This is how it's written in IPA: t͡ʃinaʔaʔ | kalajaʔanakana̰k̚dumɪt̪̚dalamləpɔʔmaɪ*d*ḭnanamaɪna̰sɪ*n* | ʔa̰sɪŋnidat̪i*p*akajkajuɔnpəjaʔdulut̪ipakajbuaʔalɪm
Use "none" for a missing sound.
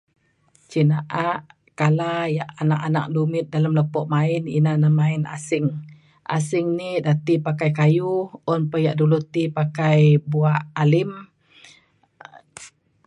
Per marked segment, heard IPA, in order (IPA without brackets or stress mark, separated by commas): n, ŋ, p